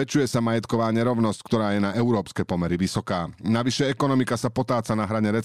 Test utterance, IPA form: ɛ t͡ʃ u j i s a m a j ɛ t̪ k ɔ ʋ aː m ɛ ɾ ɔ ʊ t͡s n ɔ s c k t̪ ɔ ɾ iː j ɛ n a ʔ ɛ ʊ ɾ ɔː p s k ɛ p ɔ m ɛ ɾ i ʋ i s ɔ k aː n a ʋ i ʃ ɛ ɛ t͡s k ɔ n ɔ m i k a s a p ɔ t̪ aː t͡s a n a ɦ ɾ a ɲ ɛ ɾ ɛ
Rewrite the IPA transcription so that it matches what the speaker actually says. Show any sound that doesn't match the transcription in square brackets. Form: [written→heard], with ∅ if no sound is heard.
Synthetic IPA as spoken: ɛ t͡ʃ u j [i→ɛ] s a m a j ɛ t̪ k ɔ ʋ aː [m→ɲ] ɛ ɾ ɔ ʊ [t͡s→∅] n ɔ s c k t̪ ɔ ɾ [iː→aː] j ɛ n a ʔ ɛ ʊ ɾ ɔː p s k ɛ p ɔ m ɛ ɾ i ʋ i s ɔ k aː n a ʋ i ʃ ɛ ɛ [t͡s→∅] k ɔ n ɔ m i k a s a p ɔ t̪ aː t͡s a n a ɦ ɾ a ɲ ɛ ɾ ɛ